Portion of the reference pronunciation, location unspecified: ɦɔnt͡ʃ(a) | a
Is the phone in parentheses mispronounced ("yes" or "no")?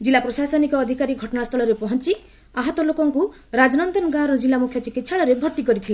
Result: yes